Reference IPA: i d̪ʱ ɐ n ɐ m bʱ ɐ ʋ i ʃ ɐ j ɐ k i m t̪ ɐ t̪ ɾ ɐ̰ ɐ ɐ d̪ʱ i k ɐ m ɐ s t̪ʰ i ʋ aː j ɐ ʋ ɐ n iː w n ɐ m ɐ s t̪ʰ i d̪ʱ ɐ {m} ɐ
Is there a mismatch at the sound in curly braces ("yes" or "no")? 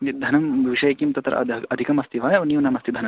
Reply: yes